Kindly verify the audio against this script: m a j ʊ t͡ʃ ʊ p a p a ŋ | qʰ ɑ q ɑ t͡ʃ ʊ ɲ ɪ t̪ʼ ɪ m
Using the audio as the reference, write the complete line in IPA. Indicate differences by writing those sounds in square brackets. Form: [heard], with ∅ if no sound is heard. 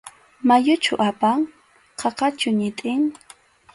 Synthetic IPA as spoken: m a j ʊ t͡ʃ ʊ [ʔ] a p a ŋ | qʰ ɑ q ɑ t͡ʃ ʊ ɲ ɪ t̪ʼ ɪ [ŋ]